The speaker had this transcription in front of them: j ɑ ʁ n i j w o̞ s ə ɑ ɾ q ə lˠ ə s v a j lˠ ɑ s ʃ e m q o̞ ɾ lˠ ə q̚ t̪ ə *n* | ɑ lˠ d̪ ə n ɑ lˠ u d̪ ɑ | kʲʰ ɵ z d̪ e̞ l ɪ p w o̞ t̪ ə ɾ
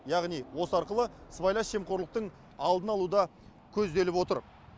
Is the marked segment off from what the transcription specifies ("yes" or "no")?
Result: yes